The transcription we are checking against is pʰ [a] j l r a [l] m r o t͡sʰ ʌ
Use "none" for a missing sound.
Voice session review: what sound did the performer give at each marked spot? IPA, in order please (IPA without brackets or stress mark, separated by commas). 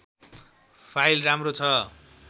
a, none